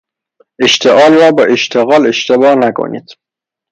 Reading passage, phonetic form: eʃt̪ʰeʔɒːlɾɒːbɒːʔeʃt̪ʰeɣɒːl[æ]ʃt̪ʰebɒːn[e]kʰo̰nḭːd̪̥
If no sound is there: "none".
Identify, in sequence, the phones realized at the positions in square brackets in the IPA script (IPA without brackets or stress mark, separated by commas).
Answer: e, æ